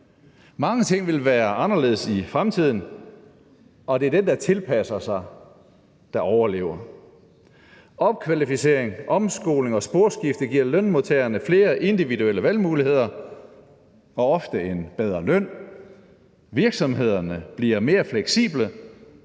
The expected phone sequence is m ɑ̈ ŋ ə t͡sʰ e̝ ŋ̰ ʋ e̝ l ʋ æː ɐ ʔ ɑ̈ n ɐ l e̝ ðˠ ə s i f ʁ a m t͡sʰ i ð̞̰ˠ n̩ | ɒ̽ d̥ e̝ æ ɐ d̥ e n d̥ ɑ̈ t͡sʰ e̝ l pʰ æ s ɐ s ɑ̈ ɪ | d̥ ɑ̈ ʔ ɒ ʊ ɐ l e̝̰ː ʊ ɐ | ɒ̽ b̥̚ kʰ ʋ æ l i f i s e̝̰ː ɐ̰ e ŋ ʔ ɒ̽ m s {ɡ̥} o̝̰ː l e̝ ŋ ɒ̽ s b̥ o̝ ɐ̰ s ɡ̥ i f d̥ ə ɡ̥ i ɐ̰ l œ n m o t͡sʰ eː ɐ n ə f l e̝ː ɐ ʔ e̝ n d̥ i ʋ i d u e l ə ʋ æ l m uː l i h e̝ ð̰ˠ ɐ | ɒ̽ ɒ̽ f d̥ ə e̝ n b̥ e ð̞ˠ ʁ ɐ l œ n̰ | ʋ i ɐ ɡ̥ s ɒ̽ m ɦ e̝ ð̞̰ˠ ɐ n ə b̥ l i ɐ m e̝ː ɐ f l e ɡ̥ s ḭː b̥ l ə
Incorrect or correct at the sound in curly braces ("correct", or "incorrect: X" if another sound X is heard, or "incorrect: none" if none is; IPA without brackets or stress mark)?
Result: correct